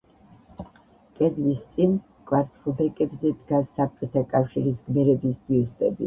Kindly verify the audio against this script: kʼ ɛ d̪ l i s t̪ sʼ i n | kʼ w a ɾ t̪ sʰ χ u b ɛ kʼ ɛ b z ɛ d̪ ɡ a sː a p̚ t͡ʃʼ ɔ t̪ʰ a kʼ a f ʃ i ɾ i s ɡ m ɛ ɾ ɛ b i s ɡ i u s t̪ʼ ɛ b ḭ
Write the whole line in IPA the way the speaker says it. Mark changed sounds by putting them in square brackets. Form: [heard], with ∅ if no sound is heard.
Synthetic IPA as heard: kʼ ɛ d̪ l i s t̪ sʼ i n | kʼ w a ɾ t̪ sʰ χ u b ɛ kʼ ɛ b z ɛ d̪ ɡ a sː a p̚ t͡ʃʼ ɔ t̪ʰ a kʼ a f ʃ i ɾ i s ɡ m ɛ ɾ ɛ b i s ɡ i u s t̪ʼ ɛ b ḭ